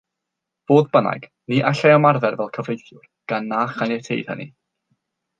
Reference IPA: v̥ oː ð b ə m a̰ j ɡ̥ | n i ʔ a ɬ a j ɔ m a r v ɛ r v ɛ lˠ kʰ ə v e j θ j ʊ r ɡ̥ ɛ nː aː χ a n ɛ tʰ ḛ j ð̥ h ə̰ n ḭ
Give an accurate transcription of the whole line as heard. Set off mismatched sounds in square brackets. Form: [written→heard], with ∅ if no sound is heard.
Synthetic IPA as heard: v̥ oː ð b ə [m→n] a̰ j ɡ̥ | n i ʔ a ɬ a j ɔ m a r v ɛ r v ɛ lˠ kʰ ə v e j θ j ʊ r ɡ̥ [ɛ→a] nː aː χ a n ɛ tʰ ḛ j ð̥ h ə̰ n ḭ